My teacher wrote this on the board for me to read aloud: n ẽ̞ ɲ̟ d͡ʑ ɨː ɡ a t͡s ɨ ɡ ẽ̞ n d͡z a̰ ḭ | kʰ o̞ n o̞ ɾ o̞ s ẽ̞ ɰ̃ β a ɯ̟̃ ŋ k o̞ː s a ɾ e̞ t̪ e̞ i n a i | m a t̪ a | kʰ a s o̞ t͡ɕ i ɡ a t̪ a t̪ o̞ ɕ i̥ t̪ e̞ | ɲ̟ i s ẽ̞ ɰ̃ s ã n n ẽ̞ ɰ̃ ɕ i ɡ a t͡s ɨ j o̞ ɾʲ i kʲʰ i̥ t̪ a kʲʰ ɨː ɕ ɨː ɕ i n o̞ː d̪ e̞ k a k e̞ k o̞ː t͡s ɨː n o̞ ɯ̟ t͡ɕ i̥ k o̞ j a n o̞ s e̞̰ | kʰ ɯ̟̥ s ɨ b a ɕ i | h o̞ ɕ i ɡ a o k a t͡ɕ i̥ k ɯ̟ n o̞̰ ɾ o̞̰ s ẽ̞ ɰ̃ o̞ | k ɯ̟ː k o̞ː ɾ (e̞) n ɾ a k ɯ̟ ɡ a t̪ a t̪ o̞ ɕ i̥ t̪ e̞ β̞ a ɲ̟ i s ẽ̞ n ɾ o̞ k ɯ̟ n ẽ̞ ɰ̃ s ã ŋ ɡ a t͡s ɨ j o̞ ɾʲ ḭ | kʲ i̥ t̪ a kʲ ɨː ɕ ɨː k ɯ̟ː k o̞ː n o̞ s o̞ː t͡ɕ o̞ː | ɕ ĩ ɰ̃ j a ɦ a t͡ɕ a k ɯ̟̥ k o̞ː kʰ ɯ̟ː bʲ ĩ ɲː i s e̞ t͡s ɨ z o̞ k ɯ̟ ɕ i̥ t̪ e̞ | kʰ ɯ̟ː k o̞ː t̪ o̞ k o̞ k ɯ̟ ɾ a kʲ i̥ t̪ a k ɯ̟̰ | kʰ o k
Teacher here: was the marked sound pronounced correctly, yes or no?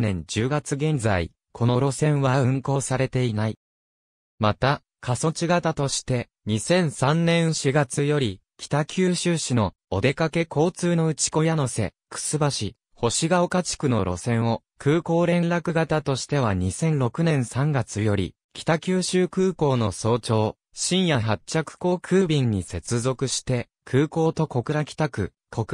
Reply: no